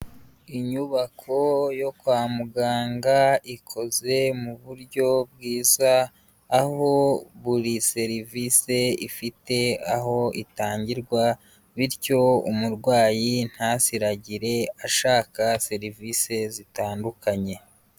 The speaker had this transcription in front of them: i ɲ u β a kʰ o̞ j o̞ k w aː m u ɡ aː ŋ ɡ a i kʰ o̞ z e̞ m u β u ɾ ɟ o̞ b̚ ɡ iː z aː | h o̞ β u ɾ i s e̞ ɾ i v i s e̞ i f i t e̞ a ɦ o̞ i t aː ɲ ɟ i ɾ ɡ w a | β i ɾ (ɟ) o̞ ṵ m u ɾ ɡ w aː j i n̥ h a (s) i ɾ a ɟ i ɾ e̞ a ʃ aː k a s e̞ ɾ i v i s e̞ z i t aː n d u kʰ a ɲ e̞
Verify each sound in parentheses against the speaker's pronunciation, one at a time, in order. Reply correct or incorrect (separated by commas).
incorrect, correct